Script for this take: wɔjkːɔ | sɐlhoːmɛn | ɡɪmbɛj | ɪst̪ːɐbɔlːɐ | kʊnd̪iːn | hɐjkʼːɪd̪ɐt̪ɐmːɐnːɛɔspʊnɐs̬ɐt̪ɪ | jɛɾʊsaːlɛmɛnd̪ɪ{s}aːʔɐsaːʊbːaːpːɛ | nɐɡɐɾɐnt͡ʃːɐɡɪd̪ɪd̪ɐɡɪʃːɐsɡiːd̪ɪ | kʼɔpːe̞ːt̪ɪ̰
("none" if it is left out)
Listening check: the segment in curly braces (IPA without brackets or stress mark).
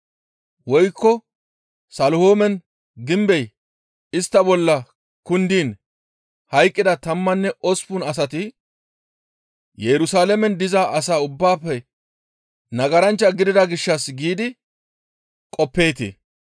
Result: z